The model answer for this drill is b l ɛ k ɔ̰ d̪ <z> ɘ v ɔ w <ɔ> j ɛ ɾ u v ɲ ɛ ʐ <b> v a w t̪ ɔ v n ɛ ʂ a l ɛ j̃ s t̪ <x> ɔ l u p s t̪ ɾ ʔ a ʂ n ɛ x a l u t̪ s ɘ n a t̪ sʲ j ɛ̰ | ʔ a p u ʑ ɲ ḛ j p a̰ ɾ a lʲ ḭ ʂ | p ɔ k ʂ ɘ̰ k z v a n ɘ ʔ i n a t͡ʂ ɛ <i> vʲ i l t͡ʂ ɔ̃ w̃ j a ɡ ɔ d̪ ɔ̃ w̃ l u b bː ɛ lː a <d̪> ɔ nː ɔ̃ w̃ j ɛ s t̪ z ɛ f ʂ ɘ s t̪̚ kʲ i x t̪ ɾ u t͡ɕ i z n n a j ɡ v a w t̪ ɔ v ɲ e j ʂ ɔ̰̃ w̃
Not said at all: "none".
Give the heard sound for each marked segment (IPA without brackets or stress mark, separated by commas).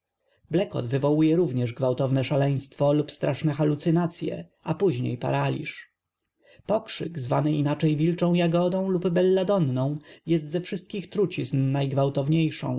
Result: v, u, ɡ, f, j, d̪